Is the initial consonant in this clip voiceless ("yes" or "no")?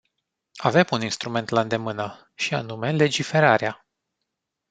no